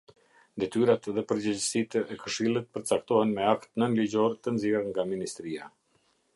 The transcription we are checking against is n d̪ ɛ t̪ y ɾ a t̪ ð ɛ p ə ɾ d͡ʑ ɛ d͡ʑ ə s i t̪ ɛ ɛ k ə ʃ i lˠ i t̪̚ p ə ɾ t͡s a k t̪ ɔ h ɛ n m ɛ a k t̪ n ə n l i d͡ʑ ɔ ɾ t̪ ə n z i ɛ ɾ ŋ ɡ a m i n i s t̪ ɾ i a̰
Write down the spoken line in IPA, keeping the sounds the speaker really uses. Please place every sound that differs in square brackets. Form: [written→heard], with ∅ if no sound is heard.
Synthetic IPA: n d̪ ɛ t̪ y ɾ a t̪ ð ɛ p ə ɾ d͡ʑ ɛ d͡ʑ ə s i t̪ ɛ ɛ k ə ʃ i lˠ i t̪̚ p ə ɾ t͡s a k t̪ ɔ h ɛ n m ɛ a k t̪ n ə n l i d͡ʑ ɔ ɾ t̪ ə n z i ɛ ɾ ŋ ɡ a m i n i s t̪ ɾ i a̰